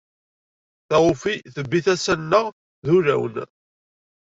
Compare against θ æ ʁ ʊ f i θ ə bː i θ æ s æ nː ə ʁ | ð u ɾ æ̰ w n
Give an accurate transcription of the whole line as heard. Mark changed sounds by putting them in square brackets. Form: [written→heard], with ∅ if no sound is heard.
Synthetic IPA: θ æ ʁ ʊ f i θ ə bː i θ æ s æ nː ə ʁ | ð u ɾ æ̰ w n